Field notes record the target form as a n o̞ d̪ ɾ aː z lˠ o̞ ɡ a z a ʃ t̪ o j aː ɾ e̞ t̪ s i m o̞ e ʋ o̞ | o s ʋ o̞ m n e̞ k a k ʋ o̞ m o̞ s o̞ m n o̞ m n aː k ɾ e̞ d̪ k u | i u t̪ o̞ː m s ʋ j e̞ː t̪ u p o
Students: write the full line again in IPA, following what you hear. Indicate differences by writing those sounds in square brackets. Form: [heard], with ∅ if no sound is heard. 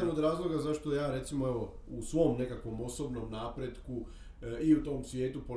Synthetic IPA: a n o̞ d̪ ɾ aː z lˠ o̞ ɡ a z a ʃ t̪ o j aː ɾ e̞ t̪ s i m o̞ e ʋ o̞ | [u] s ʋ o̞ m n e̞ k a k ʋ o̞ m o̞ s o̞ [b] n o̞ m n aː [p] ɾ e̞ d̪ k u | i u t̪ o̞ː m s ʋ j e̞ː t̪ u p o